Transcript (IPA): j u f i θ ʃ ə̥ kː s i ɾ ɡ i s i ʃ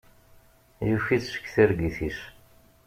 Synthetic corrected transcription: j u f i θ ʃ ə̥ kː θ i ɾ ɡ i θ i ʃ